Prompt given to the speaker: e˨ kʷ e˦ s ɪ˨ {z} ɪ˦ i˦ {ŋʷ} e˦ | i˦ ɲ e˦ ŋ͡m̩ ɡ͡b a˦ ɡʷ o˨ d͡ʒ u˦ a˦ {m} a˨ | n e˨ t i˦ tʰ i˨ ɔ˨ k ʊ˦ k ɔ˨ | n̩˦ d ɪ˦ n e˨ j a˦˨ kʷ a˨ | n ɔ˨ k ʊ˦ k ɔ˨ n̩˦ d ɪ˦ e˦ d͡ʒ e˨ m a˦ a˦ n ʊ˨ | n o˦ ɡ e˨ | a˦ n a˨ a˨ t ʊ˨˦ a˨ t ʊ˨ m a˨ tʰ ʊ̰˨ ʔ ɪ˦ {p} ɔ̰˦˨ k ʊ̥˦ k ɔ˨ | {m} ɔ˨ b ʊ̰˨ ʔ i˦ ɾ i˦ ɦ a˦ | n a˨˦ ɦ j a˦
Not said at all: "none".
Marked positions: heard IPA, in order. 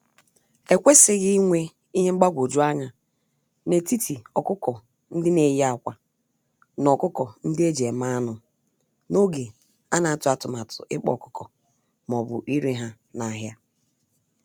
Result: ɣ, ŋʷ, ɲ, k͡p, m

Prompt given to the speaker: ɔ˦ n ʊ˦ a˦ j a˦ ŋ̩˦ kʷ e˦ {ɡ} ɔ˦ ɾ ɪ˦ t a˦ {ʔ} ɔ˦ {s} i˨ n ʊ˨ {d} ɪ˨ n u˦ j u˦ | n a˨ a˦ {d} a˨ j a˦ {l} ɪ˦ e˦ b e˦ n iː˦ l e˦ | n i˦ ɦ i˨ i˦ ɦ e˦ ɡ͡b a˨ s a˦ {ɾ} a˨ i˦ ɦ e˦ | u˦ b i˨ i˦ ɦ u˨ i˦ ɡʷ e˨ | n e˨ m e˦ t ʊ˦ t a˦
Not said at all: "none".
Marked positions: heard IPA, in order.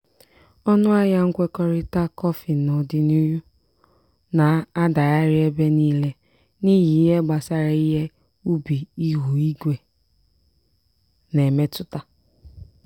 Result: k, k, f, d, d, ɾ, ɾ

